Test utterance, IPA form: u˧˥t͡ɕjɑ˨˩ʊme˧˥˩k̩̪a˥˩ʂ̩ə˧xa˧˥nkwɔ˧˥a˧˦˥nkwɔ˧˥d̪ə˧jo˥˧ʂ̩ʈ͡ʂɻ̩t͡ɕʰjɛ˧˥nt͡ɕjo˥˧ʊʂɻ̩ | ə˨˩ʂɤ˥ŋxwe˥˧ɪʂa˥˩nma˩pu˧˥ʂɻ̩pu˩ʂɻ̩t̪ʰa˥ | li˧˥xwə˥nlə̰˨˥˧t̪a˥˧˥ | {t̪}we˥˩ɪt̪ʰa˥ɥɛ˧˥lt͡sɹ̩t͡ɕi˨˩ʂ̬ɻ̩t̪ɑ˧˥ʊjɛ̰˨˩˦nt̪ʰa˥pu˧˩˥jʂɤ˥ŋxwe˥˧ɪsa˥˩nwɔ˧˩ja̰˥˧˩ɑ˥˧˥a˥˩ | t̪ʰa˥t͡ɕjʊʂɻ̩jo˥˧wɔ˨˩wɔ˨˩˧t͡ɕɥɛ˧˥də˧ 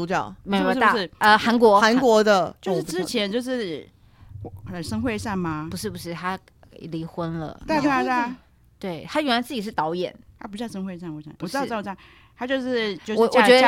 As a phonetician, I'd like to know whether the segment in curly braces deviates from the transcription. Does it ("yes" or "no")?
no